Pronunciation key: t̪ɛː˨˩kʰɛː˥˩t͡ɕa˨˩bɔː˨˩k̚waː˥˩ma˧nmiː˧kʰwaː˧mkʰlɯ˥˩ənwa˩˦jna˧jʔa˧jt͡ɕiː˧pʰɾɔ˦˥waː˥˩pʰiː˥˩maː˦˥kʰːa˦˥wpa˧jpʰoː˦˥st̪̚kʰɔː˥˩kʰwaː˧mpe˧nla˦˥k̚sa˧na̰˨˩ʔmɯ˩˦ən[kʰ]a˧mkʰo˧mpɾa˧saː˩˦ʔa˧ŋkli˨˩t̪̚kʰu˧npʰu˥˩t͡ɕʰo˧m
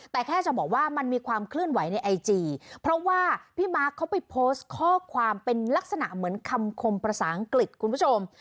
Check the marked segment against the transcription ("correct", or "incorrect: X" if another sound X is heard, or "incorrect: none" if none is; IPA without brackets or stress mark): correct